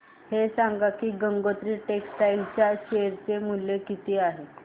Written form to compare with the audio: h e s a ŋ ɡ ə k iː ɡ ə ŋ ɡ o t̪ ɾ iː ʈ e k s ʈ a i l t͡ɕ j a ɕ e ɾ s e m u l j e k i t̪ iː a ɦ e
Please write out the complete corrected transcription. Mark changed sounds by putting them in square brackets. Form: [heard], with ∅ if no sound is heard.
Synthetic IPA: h e s a ŋ ɡ [a] k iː ɡ ə ŋ ɡ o t̪ ɾ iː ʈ e k s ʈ a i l t͡ɕ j a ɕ e ɾ [t͡s] e m u l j e k i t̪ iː a ɦ e